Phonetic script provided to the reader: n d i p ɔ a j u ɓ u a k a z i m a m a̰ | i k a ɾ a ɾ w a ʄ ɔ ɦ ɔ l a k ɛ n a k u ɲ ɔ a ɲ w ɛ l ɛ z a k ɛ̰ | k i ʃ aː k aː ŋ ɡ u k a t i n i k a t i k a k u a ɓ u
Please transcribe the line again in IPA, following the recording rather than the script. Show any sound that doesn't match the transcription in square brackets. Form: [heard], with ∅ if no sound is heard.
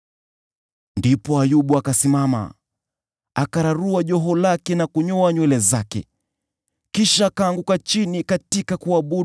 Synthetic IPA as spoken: n d i p ɔ a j u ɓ u a k a [s] i m a m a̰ | [a] k a ɾ a ɾ [u] a ʄ ɔ ɦ ɔ l a k ɛ n a k u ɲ ɔ a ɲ w ɛ l ɛ z a k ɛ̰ | k i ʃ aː k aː ŋ ɡ u k a [t͡ʃ] i n i k a t i k a k u a ɓ u

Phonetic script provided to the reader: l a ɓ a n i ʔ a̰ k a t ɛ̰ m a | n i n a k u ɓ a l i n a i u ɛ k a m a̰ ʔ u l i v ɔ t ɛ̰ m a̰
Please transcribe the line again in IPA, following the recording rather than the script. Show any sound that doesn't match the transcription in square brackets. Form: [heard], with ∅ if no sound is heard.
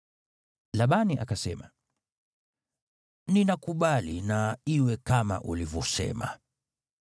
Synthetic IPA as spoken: l a ɓ a n i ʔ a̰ k a [s] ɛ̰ m a | n i n a k u ɓ a l i n a i [w] ɛ k a m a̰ ʔ u l i v ɔ [s] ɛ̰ m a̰

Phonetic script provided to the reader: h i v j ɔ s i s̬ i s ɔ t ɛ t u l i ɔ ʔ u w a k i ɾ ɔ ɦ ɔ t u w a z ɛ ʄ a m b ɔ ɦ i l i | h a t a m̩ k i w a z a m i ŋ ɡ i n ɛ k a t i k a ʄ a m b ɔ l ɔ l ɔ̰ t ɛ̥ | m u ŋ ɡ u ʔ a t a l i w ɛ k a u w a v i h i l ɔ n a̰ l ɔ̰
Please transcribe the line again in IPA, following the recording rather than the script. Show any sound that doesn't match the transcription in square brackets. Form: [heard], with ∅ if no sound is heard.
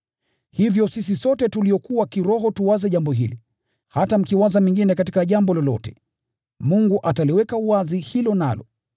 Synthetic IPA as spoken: h i v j ɔ s i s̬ i s ɔ t ɛ t u l i ɔ [k] u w a k i ɾ ɔ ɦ ɔ t u w a z ɛ ʄ a m b ɔ ɦ i l i | h a t a m̩ k i w a z a m i ŋ ɡ i n ɛ k a t i k a ʄ a m b ɔ l ɔ l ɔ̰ t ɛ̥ | m u ŋ ɡ u ʔ a t a l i w ɛ k a u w a [z] i h i l ɔ n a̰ l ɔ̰

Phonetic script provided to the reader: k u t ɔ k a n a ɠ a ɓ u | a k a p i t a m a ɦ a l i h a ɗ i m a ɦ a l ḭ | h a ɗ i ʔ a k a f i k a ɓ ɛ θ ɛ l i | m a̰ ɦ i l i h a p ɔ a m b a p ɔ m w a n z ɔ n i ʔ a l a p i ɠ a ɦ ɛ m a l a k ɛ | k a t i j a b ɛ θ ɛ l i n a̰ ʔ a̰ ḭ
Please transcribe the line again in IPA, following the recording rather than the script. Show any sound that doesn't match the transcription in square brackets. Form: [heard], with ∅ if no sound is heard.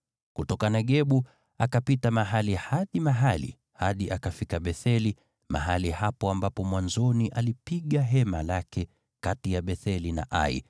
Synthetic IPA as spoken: k u t ɔ k a n a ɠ [ɛ] ɓ u | a k a p i t a m a ɦ a l i h a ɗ i m a ɦ a l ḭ | h a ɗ i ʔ a k a f i k a ɓ ɛ θ ɛ l i | m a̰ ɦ [a] l i h a p ɔ a m b a p ɔ m w a n z ɔ n i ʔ a l [i] p i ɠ a ɦ ɛ m a l a k ɛ | k a t i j a [ɓ] ɛ θ ɛ l i n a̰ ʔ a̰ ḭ

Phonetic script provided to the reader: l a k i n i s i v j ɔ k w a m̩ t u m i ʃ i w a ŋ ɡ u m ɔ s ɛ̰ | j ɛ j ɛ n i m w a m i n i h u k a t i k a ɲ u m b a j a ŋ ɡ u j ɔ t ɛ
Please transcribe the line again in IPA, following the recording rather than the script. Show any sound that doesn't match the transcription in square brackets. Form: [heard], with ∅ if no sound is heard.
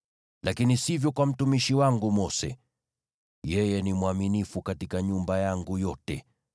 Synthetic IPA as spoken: l a k i n i s i v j ɔ k w a m̩ t u m i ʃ i w a ŋ ɡ u m ɔ s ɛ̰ | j ɛ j ɛ n i m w a m i n i [f] u k a t i k a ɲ u m b a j a ŋ ɡ u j ɔ t ɛ

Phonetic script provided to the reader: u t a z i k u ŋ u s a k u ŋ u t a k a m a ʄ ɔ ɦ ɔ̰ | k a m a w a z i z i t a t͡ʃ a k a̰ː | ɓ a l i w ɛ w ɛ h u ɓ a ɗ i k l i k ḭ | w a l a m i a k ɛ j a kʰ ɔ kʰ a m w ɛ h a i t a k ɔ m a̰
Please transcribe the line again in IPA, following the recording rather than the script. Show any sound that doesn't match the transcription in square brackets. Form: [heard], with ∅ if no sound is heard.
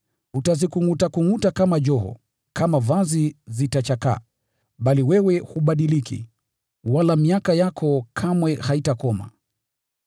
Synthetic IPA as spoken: u t a z i k u ŋ u [t] a k u ŋ u t a k a m a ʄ ɔ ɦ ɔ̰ | k a m a [v] a z i z i t a t͡ʃ a k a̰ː | ɓ a l i w ɛ w ɛ h u ɓ a ɗ i [∅] l i k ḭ | w a l a m i a k [a] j a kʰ ɔ kʰ a m w ɛ h a i t a k ɔ m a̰

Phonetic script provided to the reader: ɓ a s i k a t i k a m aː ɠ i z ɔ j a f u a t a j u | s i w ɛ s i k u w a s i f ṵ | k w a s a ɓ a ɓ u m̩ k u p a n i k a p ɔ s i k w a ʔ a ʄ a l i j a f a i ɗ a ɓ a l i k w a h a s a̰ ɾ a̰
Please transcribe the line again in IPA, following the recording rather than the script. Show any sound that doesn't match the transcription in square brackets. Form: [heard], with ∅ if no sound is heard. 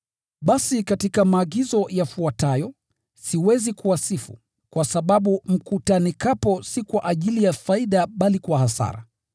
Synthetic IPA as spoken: ɓ a s i k a t i k a m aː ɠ i z ɔ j a f u a t a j [ɔ] | s i w ɛ [z] i k u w a s i f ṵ | k w a s a ɓ a ɓ u m̩ k u [t] a n i k a p ɔ s i k w a ʔ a ʄ [i] l i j a f a i ɗ a ɓ a l i k w a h a s a̰ ɾ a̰

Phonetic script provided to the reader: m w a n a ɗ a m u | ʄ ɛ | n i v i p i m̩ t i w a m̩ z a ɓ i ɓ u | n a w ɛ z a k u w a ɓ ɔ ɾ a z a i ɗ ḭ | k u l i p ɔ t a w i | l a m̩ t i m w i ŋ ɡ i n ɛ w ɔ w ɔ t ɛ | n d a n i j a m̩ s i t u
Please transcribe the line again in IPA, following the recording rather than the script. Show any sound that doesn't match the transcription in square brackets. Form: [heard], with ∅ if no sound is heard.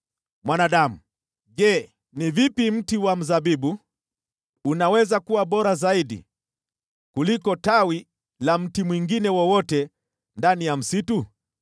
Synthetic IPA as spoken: m w a n a ɗ a m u | ʄ ɛ | n i v i p i m̩ t i w a m̩ z a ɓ i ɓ u | n a w ɛ z a k u w a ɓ ɔ ɾ a z a i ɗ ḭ | k u l i [k] ɔ t a w i | l a m̩ t i m w i ŋ ɡ i n ɛ w ɔ w ɔ t ɛ | n d a n i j a m̩ s i t u

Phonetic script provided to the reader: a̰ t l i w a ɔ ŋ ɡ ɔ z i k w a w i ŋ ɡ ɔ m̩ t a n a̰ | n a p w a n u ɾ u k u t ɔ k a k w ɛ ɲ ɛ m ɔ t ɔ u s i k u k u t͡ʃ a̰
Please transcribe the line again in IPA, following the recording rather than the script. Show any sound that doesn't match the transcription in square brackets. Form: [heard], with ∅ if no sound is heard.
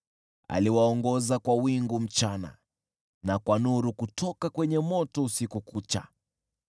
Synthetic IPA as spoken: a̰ [∅] l i w a ɔ ŋ ɡ ɔ z [a] k w a w i ŋ ɡ [u] m̩ [t͡ʃ] a n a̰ | n a [k] w a n u ɾ u k u t ɔ k a k w ɛ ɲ ɛ m ɔ t ɔ u s i k u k u t͡ʃ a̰

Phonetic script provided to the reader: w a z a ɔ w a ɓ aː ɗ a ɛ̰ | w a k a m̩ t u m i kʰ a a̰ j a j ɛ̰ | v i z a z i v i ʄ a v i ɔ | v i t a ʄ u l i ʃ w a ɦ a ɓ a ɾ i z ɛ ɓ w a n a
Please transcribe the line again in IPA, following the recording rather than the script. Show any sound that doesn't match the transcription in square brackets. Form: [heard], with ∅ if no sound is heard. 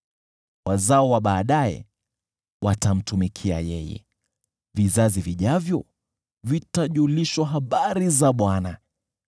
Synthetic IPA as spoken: w a z a ɔ w a ɓ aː ɗ a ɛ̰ | w a [t] a m̩ t u m i kʰ [i] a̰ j [ɛ] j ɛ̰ | v i z a z i v i ʄ a v [j] ɔ | v i t a ʄ u l i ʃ w a ɦ a ɓ a ɾ i z [a] ɓ w a n a

